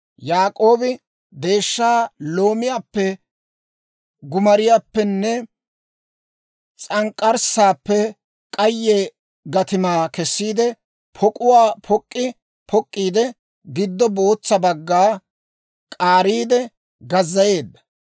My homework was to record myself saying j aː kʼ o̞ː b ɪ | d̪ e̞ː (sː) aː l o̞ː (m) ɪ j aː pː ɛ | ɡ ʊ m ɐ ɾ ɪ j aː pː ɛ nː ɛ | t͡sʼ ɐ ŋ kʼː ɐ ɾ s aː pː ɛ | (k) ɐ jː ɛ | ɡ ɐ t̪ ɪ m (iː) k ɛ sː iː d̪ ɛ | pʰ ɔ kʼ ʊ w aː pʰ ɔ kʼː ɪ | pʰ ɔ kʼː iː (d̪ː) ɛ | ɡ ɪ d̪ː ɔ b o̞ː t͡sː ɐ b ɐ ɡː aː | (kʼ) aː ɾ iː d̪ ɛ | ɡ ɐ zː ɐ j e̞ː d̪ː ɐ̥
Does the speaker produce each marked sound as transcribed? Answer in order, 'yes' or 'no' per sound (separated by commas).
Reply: no, yes, no, no, no, yes